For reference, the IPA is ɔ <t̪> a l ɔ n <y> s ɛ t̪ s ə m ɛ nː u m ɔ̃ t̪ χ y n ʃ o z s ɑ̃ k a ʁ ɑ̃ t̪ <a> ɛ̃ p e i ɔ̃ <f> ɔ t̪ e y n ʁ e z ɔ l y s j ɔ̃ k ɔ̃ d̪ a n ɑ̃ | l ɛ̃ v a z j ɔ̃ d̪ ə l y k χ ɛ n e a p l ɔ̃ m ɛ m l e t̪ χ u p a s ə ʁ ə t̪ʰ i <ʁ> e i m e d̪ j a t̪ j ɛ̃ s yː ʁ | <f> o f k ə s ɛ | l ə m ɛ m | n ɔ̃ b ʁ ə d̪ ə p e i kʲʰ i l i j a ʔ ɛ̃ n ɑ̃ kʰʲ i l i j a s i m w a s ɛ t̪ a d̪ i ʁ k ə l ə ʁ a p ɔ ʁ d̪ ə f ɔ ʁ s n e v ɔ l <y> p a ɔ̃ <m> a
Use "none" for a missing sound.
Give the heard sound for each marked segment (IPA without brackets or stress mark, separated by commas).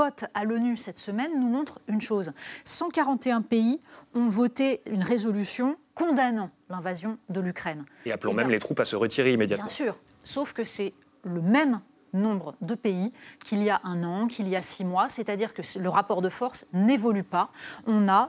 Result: t̪, y, e, v, ʁ, s, y, n